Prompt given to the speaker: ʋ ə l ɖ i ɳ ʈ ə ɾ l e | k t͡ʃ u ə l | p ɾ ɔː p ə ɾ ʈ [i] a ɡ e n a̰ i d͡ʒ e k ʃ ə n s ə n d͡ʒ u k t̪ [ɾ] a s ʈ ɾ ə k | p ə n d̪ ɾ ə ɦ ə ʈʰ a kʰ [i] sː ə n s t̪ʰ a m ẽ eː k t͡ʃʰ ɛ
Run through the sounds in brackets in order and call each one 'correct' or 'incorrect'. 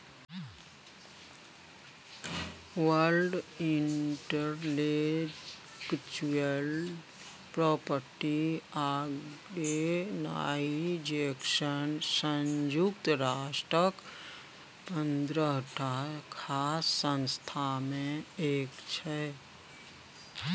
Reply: correct, correct, incorrect: a

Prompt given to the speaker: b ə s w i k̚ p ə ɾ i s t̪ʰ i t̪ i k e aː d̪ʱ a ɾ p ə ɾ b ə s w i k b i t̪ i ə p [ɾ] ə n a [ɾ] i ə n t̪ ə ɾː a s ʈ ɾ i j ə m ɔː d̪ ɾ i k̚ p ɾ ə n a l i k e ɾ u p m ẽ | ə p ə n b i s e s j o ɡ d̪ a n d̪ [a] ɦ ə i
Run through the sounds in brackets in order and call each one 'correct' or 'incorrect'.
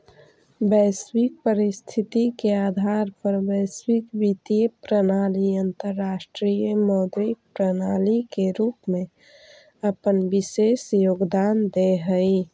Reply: correct, incorrect: l, incorrect: e

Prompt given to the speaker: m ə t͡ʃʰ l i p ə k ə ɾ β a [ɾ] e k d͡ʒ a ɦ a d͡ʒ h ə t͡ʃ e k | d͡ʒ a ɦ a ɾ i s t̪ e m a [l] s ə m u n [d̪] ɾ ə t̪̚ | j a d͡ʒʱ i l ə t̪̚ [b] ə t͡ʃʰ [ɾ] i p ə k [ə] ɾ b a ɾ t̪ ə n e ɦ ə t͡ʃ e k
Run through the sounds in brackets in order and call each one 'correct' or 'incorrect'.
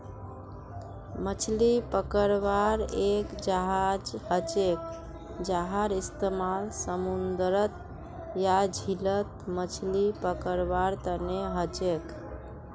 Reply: correct, correct, correct, incorrect: m, incorrect: l, correct

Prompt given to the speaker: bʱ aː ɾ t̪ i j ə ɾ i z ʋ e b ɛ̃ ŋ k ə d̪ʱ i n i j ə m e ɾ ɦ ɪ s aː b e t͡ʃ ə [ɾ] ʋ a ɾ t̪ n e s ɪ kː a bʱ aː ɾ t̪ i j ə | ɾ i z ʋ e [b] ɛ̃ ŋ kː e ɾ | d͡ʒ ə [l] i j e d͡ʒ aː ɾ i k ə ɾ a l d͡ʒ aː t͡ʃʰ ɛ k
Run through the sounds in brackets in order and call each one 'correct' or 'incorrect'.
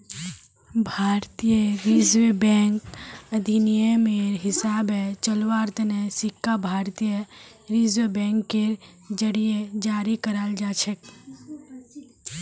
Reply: incorrect: l, correct, incorrect: ɽ

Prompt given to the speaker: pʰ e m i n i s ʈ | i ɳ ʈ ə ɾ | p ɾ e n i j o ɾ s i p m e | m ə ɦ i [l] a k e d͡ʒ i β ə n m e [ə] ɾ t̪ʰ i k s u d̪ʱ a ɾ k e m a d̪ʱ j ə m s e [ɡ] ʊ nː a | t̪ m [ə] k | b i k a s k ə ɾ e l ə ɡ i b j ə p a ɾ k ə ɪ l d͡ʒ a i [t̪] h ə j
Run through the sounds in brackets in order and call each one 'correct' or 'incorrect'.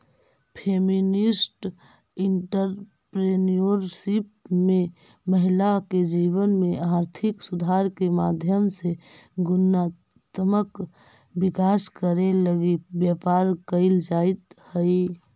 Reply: correct, incorrect: a, correct, correct, correct

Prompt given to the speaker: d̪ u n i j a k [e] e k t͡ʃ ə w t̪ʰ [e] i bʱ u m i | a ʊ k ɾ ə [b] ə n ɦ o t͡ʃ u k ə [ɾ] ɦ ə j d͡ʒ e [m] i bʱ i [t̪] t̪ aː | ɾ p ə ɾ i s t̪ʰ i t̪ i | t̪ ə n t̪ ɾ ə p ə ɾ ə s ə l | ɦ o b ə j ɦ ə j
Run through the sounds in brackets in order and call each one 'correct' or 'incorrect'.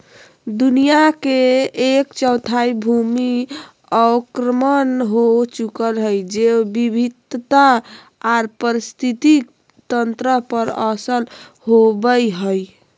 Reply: correct, incorrect: a, incorrect: m, incorrect: l, incorrect: b, incorrect: d̪

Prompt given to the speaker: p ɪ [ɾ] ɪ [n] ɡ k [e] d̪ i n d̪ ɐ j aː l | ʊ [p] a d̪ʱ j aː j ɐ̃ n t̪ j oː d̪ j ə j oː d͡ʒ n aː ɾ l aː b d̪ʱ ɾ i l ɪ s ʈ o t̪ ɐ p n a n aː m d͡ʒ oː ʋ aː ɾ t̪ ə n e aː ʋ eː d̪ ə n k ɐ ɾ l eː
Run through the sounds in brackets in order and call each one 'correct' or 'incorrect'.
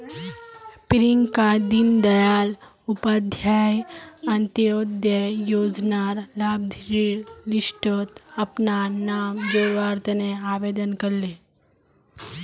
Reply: correct, incorrect: ŋ, incorrect: a, correct

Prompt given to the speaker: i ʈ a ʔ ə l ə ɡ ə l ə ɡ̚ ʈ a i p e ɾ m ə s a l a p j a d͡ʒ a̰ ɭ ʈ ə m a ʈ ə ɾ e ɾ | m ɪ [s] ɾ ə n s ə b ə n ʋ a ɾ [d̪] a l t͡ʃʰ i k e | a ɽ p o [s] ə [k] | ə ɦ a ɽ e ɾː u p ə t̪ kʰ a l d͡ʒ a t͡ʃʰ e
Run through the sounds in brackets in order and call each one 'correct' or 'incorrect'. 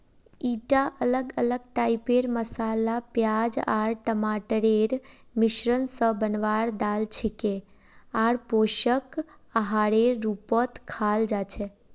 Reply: incorrect: ʃ, correct, incorrect: ʃ, correct

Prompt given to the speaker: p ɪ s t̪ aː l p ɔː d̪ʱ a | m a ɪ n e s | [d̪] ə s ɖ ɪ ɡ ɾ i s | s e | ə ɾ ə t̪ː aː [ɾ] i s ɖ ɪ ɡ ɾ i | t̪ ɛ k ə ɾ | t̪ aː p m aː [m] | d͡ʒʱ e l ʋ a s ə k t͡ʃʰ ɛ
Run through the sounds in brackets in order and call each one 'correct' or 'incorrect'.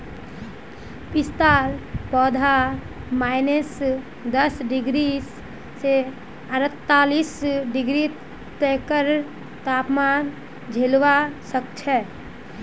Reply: correct, incorrect: l, incorrect: n

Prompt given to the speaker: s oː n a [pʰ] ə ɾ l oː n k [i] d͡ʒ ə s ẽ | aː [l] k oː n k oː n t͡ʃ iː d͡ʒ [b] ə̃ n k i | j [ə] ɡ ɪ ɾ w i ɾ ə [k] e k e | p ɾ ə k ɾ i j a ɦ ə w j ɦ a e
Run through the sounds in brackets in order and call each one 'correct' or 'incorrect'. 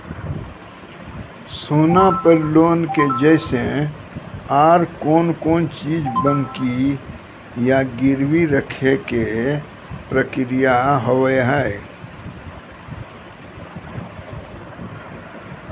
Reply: incorrect: p, incorrect: e, incorrect: ɾ, correct, incorrect: a, incorrect: kʰ

